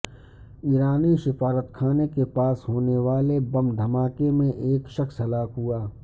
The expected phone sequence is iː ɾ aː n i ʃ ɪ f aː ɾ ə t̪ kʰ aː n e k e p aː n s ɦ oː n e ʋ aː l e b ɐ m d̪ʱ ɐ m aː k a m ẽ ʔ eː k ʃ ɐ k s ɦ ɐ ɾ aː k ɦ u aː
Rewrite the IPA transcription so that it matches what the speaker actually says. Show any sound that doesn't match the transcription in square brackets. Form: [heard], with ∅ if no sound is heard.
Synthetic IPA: iː ɾ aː n i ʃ ɪ f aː ɾ ə t̪ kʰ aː n e k e p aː [∅] s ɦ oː n e ʋ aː l e b ɐ m d̪ʱ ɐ m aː k [e] m ẽ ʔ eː k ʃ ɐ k s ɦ ɐ [l] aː k ɦ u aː